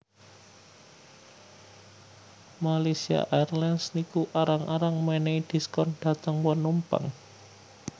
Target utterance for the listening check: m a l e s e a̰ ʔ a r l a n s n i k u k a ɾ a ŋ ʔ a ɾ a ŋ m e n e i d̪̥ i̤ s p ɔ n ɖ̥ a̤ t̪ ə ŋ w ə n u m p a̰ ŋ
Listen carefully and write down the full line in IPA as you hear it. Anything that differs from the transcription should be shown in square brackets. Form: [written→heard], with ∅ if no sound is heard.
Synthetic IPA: m a l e s [e→i] a̰ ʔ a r l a n s n i k u [k→ʔ] a ɾ a ŋ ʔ a ɾ a ŋ m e n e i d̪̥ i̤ s [p→k] ɔ n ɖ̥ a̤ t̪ ə ŋ w ə n u m p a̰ ŋ